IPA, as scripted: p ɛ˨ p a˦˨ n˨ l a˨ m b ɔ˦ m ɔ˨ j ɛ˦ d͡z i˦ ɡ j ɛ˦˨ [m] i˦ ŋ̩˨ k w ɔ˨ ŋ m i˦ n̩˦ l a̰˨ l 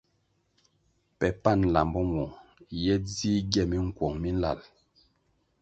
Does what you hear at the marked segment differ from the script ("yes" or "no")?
no